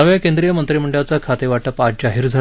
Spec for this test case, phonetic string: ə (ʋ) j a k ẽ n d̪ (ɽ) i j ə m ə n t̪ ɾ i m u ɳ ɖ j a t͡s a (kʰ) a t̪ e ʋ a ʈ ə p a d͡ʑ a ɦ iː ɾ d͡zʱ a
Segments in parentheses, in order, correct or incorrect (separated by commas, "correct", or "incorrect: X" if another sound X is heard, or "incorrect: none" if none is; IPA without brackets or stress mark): correct, incorrect: ɾ, correct